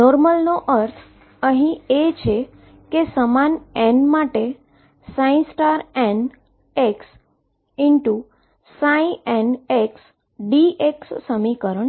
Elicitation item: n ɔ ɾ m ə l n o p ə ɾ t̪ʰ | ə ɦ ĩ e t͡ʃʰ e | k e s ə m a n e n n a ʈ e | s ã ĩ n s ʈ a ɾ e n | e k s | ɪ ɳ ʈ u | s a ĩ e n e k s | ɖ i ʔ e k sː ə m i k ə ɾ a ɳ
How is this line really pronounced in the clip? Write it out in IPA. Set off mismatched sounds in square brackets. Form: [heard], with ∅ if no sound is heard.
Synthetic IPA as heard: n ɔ ɾ m ə l n o [ʔ] ə ɾ t̪ʰ | ə ɦ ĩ e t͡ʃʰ e | k e s ə m a n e n [m] a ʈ e | s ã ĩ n s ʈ a ɾ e n | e k s | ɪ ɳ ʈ u | s a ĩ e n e k s | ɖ i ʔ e k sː ə m i k ə ɾ [ə] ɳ

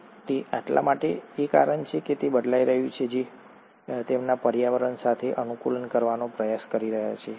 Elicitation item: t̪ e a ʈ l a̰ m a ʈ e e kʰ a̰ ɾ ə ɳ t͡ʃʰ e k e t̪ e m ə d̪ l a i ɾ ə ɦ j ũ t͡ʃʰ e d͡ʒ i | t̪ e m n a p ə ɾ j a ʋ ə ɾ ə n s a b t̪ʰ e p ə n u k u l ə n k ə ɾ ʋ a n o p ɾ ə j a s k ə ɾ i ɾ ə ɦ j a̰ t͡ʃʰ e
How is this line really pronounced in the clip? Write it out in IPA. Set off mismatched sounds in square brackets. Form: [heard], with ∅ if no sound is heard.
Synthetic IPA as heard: t̪ e a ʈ l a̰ m a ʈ e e [k] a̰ ɾ ə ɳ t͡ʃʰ e k e t̪ e [b] ə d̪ l a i ɾ ə ɦ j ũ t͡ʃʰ e d͡ʒ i | t̪ e m n a p ə ɾ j a ʋ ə ɾ ə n s a [∅] t̪ʰ e [ʔ] ə n u k u l ə n k ə ɾ ʋ a n o p ɾ ə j a s k ə ɾ i ɾ ə ɦ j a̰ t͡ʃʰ e

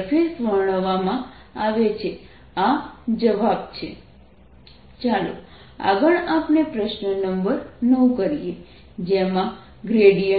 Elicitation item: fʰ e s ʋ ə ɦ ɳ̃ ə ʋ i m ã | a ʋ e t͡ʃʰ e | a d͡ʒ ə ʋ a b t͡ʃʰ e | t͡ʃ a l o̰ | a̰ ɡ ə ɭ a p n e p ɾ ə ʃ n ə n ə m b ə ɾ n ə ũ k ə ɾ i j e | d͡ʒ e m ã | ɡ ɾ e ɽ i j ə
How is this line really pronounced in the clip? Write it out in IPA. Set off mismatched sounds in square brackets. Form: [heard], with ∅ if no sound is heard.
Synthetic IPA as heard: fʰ e s ʋ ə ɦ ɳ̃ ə ʋ [a] m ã | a ʋ e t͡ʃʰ e | a d͡ʒ ə ʋ a b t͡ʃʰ e | t͡ʃ a l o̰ | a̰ ɡ ə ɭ a p n e p ɾ ə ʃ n ə n ə m b ə ɾ n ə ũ k ə ɾ i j e | d͡ʒ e m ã | ɡ ɾ e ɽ i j ə

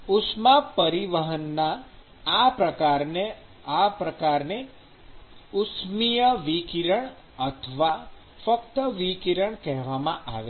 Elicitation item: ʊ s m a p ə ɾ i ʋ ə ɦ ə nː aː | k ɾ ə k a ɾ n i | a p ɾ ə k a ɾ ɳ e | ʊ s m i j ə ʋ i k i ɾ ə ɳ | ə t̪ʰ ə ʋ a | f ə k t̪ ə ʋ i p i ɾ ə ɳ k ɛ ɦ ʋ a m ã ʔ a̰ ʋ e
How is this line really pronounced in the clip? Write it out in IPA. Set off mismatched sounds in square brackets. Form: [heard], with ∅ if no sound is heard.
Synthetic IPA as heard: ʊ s m a p ə ɾ i ʋ ə ɦ ə nː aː | [p] ɾ ə k a ɾ n [e] | a p ɾ ə k a ɾ [n] e | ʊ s m i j ə ʋ i k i ɾ ə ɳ | ə t̪ʰ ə ʋ a | f ə k t̪ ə ʋ i [k] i ɾ ə ɳ k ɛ ɦ ʋ a m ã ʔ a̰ ʋ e

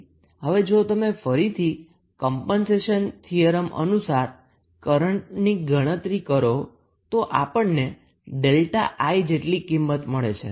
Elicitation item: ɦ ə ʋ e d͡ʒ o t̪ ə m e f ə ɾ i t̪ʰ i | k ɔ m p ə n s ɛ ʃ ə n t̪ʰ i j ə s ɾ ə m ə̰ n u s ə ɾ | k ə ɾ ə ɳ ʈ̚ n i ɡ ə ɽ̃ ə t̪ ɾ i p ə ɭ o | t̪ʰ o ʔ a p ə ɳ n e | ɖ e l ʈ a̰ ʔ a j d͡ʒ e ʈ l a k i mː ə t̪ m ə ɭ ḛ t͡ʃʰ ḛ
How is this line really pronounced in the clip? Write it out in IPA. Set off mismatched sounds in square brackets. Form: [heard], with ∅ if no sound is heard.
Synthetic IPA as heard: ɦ ə ʋ e d͡ʒ o t̪ ə m e f ə ɾ i t̪ʰ i | k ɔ m p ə n s [e] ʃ ə n t̪ʰ i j ə [∅] ɾ ə m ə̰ n u s [a] ɾ | k ə ɾ ə ɳ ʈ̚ n i ɡ ə ɽ̃ ə t̪ ɾ i [k] ə [ɾ] o | [t̪] o ʔ a p ə ɳ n e | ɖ e l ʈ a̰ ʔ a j d͡ʒ e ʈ l [i] k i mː ə t̪ m ə ɭ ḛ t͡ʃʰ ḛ

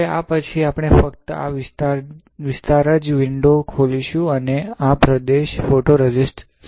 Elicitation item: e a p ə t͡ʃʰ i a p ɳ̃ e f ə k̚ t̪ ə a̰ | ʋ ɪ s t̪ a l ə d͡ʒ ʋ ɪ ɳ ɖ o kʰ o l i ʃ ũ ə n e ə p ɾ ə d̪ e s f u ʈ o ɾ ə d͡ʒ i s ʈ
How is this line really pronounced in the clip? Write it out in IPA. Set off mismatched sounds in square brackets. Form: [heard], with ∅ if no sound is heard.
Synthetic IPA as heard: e a p ə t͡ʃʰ i a p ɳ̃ e f ə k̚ t̪ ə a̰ | ʋ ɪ s t̪ a [ɾ] ə d͡ʒ ʋ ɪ ɳ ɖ o kʰ o l i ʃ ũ ə n e [a] p ɾ ə d̪ e [ʃ] f [o] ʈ o ɾ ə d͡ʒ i s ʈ

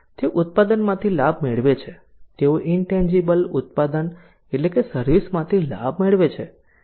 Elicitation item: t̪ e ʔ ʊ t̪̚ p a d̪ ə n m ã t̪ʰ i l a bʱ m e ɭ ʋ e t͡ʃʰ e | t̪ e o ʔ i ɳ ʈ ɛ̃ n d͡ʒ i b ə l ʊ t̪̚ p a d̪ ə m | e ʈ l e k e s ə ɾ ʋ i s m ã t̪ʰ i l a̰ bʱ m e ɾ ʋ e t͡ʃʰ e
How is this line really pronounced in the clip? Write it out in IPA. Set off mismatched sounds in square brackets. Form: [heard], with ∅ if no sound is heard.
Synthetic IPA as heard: t̪ e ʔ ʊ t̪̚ p a d̪ ə n m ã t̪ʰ i l a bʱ m e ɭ ʋ e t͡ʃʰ e | t̪ e o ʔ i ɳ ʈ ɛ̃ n d͡ʒ i b ə l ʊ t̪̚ p a d̪ ə [n] | e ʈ l e k e s ə ɾ ʋ i s m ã t̪ʰ i l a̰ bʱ m e [ɭ] ʋ e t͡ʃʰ e

